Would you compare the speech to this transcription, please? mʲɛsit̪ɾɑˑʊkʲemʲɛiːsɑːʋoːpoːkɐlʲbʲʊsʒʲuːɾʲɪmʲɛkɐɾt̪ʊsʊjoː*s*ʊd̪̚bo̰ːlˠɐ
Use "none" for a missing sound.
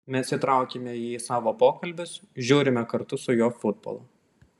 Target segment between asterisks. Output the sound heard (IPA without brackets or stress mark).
f